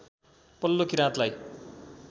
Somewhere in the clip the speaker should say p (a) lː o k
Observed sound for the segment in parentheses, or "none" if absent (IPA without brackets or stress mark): ʌ